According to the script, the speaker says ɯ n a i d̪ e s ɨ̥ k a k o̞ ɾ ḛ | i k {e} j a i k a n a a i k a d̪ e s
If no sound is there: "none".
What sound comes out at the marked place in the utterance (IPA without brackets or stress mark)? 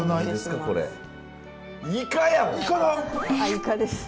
a